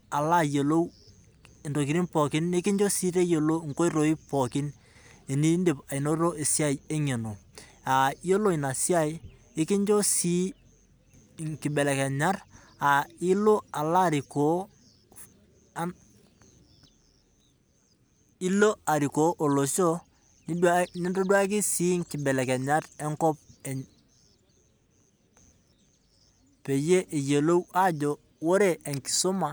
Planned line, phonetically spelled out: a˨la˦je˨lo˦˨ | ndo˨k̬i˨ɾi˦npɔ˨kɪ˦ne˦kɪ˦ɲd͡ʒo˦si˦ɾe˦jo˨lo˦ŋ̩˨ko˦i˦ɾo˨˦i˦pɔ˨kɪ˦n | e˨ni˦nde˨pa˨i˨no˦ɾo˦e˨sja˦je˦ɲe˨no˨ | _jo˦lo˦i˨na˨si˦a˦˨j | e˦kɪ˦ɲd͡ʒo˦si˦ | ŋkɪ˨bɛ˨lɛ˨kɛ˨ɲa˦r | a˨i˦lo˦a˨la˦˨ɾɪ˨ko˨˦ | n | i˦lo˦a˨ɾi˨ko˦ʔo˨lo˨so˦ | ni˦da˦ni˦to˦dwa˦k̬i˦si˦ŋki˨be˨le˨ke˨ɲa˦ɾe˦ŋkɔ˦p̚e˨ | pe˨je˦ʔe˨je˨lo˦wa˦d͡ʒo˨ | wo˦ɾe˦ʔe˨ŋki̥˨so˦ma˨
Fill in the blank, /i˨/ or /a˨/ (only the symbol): a˨